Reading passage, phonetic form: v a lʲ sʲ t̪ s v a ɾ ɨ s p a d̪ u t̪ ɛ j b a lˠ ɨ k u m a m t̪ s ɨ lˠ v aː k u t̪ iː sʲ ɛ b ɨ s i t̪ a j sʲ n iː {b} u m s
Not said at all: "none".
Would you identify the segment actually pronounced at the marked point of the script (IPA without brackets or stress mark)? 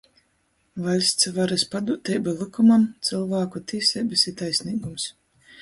ɡ